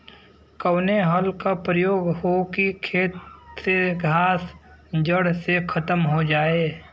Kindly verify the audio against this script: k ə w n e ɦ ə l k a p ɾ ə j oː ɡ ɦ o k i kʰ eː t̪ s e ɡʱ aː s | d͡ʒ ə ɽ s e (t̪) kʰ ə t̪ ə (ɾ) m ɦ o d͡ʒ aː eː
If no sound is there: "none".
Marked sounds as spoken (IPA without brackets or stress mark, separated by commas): none, none